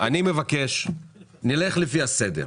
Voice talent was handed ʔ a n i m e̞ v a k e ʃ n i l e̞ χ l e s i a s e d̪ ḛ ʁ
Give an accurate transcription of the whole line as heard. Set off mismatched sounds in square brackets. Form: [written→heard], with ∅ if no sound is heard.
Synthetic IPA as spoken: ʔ a n i m e̞ v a k e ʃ n i l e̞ χ l e [s→f] i a s e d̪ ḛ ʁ